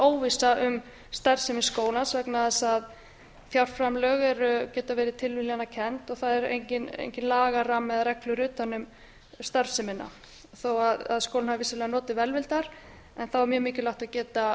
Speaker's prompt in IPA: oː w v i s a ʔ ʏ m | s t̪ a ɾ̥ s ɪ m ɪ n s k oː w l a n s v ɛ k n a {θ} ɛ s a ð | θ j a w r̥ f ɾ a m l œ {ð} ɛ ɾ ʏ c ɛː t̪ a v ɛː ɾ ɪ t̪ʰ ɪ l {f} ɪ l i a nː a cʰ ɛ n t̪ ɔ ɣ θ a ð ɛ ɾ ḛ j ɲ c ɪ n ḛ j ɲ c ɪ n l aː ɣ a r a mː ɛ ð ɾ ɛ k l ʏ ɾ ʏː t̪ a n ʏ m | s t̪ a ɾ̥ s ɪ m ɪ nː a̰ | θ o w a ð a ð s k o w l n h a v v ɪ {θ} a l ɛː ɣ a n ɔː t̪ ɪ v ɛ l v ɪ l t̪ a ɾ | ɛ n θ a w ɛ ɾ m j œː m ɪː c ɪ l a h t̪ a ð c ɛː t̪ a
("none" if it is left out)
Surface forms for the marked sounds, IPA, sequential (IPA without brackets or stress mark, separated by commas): ð, ɣ, v, s